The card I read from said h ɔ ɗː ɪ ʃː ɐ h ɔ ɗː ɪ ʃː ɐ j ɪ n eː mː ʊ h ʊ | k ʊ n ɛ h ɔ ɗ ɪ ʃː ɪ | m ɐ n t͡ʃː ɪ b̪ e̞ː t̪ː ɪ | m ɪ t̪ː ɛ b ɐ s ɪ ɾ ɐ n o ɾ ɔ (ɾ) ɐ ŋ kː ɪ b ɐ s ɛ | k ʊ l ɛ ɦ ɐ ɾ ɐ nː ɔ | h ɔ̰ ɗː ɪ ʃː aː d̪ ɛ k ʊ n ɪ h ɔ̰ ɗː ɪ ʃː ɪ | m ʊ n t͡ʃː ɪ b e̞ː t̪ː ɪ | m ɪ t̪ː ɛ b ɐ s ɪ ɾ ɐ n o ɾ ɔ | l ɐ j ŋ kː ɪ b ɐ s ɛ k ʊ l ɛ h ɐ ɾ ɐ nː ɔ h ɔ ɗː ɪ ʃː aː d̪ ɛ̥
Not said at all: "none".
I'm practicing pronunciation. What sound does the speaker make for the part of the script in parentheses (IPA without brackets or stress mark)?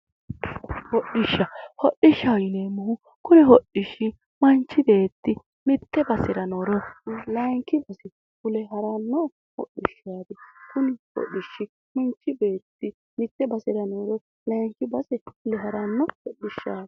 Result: l